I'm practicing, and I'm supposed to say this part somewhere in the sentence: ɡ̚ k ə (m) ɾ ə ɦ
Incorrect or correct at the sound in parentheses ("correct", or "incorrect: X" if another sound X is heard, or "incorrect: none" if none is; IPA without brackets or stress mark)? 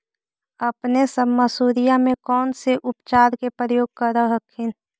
incorrect: none